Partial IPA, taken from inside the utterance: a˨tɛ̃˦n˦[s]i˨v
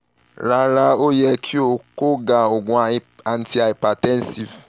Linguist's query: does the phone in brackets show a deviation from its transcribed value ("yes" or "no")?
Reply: no